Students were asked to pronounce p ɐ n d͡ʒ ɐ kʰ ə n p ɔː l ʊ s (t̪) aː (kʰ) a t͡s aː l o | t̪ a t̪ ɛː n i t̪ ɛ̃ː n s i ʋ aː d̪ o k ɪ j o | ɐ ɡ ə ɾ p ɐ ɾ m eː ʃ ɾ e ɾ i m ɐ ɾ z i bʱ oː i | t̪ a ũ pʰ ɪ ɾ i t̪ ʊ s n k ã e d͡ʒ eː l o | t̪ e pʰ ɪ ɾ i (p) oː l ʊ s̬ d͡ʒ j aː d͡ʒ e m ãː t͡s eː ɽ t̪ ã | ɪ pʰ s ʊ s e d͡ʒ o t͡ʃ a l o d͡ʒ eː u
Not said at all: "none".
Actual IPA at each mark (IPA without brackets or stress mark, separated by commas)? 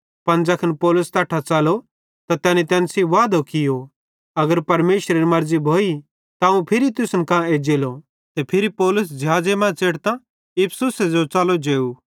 t̪, ʈʰ, p